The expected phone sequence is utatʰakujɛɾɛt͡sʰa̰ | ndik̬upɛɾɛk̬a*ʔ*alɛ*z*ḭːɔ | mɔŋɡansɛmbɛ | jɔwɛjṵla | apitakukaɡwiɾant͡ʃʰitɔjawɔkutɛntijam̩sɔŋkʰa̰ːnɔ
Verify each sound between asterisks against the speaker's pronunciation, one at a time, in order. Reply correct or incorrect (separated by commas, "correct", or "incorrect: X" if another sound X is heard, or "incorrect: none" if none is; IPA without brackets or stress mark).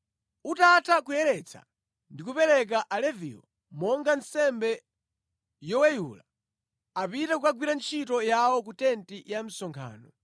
correct, incorrect: v